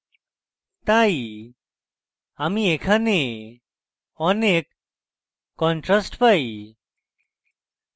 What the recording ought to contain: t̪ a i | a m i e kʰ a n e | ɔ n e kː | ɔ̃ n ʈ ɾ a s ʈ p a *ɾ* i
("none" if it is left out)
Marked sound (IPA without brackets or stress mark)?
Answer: none